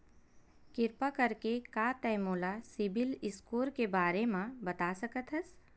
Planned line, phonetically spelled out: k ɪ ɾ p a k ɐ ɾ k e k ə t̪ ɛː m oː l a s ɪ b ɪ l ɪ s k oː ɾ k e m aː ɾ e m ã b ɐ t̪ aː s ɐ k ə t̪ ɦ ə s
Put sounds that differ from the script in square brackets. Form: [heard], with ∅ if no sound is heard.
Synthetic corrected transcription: k ɪ ɾ p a k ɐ ɾ k e k [a] t̪ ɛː m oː l a s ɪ b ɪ l ɪ s k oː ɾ k e [b] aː ɾ e m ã b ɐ t̪ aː s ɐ k ə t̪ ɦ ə s